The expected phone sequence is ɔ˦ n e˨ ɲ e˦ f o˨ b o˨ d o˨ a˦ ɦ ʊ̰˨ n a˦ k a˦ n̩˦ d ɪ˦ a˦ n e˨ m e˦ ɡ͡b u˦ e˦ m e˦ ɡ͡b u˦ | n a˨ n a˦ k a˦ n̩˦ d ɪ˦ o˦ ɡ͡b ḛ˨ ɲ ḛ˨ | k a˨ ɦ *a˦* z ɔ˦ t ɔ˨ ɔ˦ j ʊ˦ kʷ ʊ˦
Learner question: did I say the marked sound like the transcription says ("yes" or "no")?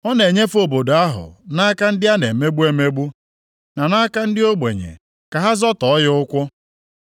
yes